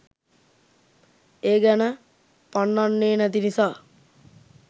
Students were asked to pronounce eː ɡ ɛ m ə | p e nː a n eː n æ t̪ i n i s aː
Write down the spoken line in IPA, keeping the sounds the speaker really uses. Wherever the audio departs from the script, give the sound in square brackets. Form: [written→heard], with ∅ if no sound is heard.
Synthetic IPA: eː ɡ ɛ [m→n] ə | p [e→a] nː a [n→nː] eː n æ t̪ i n i s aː